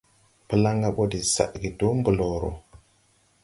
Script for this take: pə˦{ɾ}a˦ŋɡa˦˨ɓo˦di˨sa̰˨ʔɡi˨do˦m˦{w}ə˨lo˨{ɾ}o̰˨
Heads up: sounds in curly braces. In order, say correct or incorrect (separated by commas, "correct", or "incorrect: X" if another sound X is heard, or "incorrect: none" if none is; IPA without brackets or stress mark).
incorrect: l, incorrect: b, correct